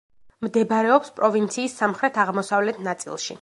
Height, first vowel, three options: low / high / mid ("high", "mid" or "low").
mid